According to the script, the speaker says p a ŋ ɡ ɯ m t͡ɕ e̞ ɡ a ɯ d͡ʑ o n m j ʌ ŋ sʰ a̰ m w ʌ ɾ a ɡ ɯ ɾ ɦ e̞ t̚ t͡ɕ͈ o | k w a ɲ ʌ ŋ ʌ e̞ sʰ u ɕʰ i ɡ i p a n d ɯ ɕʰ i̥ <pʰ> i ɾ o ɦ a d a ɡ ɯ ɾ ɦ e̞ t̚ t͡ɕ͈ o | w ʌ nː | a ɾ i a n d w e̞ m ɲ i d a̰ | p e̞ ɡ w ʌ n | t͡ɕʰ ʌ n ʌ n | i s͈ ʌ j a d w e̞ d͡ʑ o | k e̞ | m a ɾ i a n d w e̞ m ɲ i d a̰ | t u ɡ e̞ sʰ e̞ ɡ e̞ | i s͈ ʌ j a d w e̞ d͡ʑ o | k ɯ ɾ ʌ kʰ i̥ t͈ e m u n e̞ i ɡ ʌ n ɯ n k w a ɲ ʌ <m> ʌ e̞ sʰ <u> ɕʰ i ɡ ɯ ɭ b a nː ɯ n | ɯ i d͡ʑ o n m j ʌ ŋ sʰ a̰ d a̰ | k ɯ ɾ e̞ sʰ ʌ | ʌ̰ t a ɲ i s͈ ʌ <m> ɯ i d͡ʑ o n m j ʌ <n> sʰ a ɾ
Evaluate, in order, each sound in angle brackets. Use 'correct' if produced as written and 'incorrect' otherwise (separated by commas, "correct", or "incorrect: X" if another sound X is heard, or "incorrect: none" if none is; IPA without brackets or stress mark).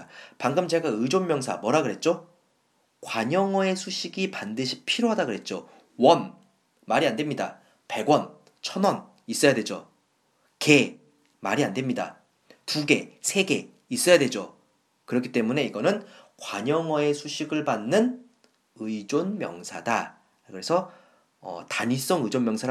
correct, incorrect: ŋ, correct, incorrect: ŋ, incorrect: ŋ